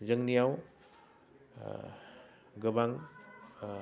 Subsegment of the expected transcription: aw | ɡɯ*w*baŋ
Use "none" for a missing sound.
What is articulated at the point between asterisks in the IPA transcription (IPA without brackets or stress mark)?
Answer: none